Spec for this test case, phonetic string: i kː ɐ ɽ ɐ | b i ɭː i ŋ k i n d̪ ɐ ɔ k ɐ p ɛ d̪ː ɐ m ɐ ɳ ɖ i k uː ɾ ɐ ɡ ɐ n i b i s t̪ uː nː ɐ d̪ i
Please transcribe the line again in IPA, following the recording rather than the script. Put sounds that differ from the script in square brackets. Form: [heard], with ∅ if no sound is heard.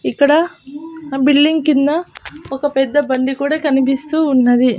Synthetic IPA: i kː ɐ ɽ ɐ | b i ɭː i ŋ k i n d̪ ɐ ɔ k ɐ p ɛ d̪ː ɐ [b] ɐ ɳ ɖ i k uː [ɽ] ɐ [k] ɐ n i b i s t̪ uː nː ɐ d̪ i